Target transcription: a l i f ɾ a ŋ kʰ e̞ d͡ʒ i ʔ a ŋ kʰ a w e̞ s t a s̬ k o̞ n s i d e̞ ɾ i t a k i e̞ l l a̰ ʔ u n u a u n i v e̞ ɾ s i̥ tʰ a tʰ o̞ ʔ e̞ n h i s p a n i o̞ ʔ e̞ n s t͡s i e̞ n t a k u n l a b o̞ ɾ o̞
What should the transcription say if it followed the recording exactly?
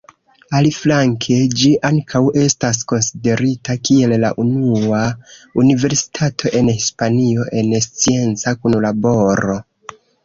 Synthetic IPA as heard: a l i f l a ŋ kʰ e̞ d͡ʒ i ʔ a ŋ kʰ a w e̞ s t a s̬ k o̞ n s i d e̞ ɾ i t a k i e̞ l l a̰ ʔ u n u a u n i v e̞ ɾ s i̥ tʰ a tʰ o̞ ʔ e̞ n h i s p a n i o̞ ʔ e̞ n s t͡s i e̞ n t͡s a k u n l a b o̞ ɾ o̞

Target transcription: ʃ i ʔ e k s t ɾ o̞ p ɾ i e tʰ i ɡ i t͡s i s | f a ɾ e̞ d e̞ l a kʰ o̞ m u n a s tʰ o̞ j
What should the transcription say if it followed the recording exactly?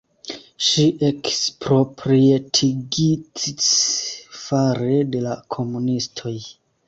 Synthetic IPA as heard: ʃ i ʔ e k s p ɾ o̞ p ɾ i e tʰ i ɡ i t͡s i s | f a ɾ e̞ d e̞ l a kʰ o̞ m u n i s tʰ o̞ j

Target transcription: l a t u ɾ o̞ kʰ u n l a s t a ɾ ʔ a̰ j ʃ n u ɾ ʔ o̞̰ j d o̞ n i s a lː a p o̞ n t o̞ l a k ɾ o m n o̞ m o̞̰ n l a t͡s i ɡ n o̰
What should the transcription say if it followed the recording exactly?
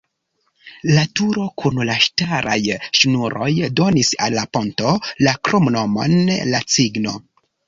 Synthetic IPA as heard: l a t u ɾ o̞ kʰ u n l a ʃ t a ɾ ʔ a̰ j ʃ n u ɾ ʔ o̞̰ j d o̞ n i s a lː a p o̞ n t o̞ l a k ɾ o m n o̞ m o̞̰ n l a t͡s i ɡ n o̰

